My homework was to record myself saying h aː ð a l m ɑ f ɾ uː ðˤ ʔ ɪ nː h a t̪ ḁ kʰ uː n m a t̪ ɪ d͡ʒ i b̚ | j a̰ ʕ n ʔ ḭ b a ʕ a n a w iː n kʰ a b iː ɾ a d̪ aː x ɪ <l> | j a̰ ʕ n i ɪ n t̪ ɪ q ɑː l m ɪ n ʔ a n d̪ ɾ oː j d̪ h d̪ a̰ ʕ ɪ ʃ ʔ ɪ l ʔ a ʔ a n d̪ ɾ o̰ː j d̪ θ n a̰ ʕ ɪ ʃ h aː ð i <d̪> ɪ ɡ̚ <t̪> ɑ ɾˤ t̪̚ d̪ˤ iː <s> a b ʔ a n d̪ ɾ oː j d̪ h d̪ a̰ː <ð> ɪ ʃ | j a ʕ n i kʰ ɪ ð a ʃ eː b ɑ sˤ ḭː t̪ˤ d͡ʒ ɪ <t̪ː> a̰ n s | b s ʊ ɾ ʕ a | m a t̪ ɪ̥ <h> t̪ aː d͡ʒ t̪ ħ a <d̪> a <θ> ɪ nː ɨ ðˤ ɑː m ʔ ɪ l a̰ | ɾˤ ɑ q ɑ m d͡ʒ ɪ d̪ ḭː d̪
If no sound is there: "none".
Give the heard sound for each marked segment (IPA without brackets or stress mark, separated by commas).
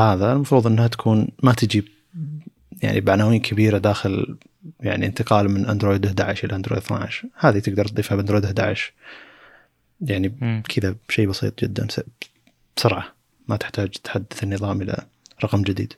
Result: l, t̪, d̪, f, ʕ, d̪ː, ħ, d̪ː, θ